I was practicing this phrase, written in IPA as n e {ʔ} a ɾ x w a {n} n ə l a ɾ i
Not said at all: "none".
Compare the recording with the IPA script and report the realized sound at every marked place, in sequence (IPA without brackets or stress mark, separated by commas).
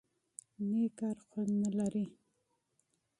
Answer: k, n